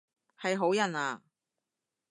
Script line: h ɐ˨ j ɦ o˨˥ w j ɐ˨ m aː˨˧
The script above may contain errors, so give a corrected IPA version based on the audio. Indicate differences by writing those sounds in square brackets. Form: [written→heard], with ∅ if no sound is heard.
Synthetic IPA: h ɐ˨ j ɦ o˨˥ w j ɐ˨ [m→n] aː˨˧